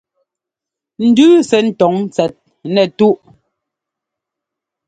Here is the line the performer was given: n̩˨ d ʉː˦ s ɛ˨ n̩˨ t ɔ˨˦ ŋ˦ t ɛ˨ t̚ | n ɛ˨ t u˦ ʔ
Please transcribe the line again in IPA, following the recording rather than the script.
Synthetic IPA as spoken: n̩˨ d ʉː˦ s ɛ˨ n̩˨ t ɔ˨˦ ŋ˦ t͡s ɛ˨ t̚ | n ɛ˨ t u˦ ʔ